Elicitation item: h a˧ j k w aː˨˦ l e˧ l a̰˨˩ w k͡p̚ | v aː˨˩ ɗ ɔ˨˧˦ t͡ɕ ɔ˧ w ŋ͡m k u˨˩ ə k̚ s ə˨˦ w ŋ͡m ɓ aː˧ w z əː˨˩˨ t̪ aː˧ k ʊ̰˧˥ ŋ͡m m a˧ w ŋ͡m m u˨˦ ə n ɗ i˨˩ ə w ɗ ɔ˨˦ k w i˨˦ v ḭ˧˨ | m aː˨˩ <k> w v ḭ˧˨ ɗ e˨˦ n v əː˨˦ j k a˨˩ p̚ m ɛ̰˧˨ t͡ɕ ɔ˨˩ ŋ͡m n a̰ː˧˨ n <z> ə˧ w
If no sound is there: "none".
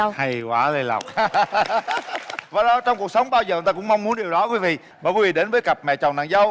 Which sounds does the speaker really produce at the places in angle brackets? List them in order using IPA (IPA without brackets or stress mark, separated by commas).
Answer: k, z